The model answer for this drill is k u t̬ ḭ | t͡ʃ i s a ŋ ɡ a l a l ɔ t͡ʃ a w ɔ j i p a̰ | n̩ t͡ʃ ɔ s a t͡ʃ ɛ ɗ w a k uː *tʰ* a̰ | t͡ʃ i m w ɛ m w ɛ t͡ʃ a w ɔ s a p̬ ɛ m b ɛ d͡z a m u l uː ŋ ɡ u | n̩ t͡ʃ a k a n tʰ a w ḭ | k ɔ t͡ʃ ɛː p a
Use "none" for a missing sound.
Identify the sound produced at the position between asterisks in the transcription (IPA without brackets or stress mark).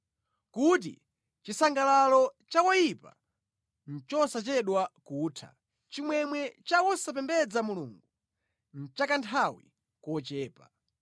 tʰ